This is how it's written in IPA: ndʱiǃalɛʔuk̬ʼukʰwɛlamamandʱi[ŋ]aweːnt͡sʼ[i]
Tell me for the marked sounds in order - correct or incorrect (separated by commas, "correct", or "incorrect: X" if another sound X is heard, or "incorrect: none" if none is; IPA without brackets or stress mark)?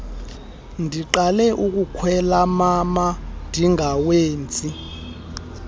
correct, correct